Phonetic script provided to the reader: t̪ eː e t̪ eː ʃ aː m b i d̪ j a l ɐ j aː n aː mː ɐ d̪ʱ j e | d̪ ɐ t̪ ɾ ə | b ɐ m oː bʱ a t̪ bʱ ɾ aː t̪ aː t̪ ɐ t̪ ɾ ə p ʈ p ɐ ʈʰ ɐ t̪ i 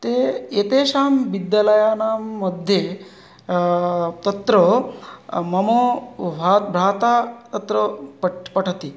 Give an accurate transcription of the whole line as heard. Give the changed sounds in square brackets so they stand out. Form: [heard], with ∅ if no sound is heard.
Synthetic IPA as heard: t̪ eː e t̪ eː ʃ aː m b i d̪ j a l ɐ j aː n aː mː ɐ d̪ʱ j e | [t̪] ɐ t̪ ɾ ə | [m] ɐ m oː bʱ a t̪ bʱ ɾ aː t̪ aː t̪ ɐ t̪ ɾ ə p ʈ p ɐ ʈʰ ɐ t̪ i